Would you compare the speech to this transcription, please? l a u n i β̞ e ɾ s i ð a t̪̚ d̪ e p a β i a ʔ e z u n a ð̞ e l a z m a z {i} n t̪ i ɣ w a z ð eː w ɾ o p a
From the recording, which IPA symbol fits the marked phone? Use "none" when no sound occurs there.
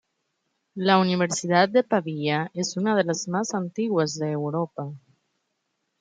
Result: a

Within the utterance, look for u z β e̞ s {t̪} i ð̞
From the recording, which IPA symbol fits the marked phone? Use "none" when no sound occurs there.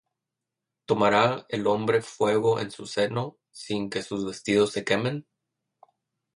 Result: t̪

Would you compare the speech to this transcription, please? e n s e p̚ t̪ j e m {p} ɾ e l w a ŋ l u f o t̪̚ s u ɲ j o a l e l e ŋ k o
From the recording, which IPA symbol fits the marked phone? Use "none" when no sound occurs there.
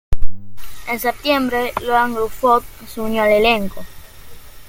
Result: b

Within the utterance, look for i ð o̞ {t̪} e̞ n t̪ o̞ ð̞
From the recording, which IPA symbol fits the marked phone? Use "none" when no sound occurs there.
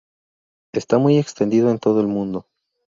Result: none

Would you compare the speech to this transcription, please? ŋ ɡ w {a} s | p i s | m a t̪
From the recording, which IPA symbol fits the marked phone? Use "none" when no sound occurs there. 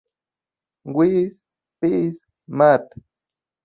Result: i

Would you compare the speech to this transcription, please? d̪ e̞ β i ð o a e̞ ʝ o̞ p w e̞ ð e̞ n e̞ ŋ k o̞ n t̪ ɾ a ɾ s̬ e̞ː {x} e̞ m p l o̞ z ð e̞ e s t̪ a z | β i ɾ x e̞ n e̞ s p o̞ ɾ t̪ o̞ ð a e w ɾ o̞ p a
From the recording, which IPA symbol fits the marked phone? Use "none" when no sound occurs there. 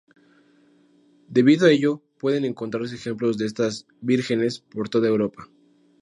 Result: x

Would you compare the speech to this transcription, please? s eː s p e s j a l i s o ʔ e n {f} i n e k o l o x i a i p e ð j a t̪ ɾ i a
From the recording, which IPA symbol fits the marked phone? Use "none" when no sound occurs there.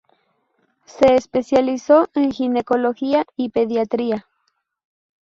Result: x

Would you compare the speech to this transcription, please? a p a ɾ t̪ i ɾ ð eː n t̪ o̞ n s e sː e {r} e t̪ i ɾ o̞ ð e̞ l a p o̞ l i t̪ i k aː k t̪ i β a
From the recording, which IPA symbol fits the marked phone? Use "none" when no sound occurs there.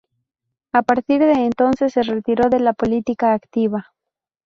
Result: r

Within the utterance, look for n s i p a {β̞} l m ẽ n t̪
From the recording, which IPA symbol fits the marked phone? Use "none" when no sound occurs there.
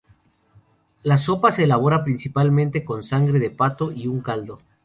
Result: none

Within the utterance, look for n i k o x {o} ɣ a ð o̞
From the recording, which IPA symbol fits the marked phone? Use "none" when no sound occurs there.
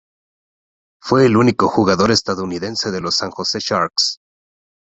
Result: u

